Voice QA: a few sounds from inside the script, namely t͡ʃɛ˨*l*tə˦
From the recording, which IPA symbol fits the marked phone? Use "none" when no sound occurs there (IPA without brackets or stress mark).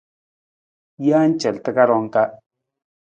l